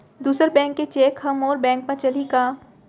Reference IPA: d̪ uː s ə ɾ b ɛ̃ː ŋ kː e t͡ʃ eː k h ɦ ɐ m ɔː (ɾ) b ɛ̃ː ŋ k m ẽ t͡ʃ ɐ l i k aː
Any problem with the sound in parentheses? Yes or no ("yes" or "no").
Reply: no